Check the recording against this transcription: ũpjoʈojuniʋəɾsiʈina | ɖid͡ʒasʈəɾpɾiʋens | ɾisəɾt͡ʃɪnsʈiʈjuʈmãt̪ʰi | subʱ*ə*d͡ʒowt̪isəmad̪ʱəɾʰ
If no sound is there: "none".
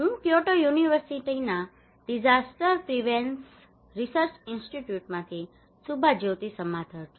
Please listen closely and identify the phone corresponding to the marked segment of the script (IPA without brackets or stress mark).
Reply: a